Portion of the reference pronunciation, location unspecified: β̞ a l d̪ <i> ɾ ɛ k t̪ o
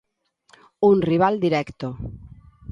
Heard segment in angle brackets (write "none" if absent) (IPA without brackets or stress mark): i